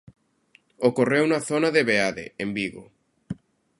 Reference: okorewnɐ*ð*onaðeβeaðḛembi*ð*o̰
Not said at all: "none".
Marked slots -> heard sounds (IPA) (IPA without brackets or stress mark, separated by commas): θ, ɣ